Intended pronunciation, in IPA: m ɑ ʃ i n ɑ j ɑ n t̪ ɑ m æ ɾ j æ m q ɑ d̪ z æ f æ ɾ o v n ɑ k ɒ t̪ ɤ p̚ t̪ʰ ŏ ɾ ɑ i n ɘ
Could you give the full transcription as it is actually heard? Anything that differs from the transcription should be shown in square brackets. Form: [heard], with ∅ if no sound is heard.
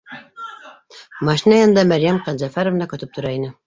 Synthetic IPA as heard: m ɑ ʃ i n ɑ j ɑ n [d̪] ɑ m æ ɾ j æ m q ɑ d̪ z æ f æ ɾ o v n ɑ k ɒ t̪ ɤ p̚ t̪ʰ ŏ ɾ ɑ i n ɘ